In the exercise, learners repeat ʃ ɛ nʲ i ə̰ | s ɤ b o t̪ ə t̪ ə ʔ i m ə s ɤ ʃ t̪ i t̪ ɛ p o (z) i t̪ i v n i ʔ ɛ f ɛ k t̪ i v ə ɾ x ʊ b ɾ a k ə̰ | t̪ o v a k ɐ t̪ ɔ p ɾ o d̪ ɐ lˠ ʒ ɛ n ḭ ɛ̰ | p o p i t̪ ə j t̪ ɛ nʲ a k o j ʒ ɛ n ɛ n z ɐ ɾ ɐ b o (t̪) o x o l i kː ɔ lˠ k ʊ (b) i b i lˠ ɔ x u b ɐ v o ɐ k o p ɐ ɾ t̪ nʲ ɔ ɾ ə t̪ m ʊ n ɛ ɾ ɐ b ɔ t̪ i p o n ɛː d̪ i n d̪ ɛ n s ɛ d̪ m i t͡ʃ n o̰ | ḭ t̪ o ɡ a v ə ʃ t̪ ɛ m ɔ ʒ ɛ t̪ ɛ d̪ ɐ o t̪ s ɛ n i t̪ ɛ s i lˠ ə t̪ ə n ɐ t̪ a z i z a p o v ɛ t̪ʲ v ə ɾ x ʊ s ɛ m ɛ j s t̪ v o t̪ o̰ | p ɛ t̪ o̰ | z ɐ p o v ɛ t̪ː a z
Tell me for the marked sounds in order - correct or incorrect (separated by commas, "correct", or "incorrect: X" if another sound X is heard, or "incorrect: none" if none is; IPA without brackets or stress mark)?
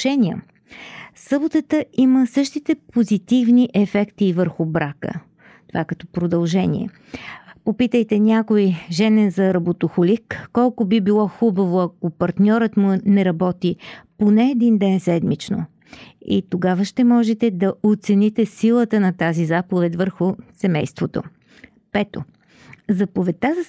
correct, correct, correct